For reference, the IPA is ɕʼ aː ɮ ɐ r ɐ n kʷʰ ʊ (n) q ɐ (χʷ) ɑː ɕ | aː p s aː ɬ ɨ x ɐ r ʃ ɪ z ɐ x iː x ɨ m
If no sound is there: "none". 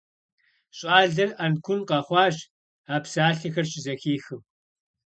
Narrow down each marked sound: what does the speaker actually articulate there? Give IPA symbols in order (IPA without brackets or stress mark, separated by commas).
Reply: n, χʷ